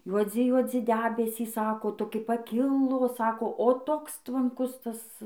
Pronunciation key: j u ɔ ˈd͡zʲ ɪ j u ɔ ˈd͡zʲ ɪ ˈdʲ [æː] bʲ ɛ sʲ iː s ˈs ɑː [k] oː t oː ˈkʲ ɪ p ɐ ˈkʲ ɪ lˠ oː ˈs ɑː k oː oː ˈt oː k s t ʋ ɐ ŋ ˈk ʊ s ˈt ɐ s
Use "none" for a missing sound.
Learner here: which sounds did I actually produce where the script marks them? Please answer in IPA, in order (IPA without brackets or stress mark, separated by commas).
æː, k